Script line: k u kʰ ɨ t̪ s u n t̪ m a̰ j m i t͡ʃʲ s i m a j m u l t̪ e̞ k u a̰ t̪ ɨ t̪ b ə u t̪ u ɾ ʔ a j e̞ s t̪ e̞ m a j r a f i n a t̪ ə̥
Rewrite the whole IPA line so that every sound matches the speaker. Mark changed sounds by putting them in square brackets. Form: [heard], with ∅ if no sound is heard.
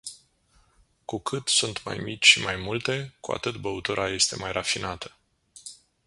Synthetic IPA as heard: k u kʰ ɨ t̪ s u n t̪ m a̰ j m i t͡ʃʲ [ʃ] i m a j m u l t̪ e̞ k u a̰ t̪ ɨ t̪ b ə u t̪ u ɾ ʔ a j e̞ s t̪ e̞ m a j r a f i n a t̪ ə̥